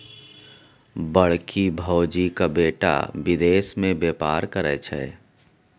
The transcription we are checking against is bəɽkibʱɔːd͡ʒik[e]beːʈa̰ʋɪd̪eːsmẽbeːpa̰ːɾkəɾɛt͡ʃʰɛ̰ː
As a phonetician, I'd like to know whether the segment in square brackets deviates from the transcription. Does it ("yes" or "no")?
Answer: yes